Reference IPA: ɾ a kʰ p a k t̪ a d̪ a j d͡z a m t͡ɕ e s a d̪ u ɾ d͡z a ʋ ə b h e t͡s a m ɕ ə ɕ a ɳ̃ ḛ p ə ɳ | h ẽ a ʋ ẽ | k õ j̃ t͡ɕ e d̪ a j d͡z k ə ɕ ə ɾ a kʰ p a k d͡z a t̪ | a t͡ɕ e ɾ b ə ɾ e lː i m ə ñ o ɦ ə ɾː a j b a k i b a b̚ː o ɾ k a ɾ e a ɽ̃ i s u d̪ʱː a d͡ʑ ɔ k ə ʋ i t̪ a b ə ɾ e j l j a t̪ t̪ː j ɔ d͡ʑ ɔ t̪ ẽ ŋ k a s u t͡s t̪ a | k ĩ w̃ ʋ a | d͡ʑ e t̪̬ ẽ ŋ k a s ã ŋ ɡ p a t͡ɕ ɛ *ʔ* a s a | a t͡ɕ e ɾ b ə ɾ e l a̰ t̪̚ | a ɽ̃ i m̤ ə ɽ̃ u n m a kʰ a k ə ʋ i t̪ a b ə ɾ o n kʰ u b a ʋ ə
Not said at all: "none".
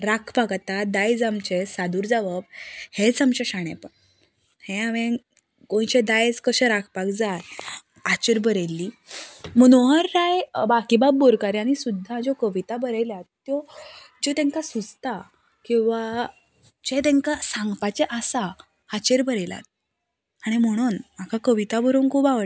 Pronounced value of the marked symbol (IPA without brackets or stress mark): ʔ